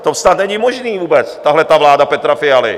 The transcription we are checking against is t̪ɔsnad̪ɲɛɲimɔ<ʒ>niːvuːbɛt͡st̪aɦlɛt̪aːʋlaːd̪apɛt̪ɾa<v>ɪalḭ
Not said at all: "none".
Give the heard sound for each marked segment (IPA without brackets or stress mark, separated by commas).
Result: ʒ, f